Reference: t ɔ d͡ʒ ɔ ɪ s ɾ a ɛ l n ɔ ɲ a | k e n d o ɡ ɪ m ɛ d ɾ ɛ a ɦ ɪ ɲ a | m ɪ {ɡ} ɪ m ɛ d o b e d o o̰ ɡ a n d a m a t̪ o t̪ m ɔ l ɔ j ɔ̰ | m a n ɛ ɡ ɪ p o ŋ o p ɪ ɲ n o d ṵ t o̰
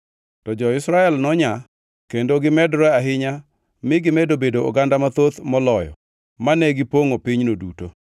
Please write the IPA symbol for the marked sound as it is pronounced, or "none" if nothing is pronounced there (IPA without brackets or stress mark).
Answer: ɡ